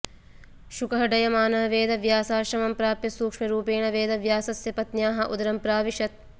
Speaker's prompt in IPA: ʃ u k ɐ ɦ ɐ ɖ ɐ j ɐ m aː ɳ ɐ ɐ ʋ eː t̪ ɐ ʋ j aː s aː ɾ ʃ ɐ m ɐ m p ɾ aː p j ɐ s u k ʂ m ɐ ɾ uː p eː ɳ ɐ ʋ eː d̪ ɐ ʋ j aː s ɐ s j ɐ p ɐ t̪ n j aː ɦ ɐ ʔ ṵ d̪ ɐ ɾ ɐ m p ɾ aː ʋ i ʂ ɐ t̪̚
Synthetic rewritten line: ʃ u k ɐ ɦ ɐ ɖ ɐ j ɐ m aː n ɐ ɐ ʋ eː d̪ ɐ ʋ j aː s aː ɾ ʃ ɐ m ɐ m p ɾ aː p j ɐ s uː k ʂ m ɐ ɾ uː p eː ɳ ɐ ʋ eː d̪ ɐ ʋ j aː s ɐ s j ɐ p ɐ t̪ n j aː ɦ ɐ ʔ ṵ d̪ ɐ ɾ ɐ m p ɾ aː ʋ i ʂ ɐ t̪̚